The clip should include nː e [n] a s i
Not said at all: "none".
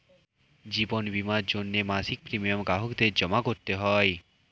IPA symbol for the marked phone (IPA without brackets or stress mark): m